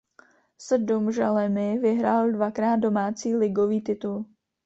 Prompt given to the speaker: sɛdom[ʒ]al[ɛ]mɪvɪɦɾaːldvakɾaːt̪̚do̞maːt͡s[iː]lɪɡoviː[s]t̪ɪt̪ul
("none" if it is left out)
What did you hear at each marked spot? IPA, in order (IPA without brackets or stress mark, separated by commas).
ʒ, ɛ, iː, none